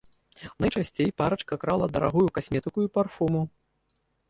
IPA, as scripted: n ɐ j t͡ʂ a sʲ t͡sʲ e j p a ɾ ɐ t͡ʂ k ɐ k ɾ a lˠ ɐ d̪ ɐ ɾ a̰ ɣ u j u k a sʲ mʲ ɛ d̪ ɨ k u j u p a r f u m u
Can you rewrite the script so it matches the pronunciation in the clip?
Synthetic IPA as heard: n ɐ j t͡ʂ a sʲ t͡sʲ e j p a ɾ ɐ t͡ʂ k ɐ k ɾ a lˠ ɐ d̪ ɐ ɾ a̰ ɣ u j u k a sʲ mʲ ɛ t̪ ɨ k u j u p a r f u m u

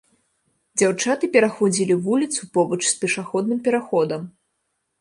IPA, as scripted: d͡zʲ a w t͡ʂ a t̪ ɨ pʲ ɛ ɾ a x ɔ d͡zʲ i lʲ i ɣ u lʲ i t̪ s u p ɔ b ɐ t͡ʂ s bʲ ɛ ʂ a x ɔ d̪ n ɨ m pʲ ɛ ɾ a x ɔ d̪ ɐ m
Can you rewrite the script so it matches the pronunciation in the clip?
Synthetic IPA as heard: d͡zʲ a w t͡ʂ a t̪ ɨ pʲ ɛ ɾ a x ɔ d͡zʲ i lʲ i v u lʲ i t̪ s u p ɔ b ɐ t͡ʂ s pʲ ɛ ʂ a x ɔ d̪ n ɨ m pʲ ɛ ɾ a x ɔ d̪ ɐ m

